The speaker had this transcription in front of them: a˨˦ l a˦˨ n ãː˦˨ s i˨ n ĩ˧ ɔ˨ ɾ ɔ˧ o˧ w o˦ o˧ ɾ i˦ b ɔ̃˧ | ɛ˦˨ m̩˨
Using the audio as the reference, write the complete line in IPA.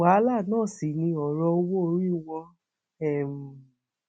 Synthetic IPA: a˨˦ l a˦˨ n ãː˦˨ s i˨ n ĩ˧ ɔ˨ ɾ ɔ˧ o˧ w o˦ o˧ ɾ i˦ w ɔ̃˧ | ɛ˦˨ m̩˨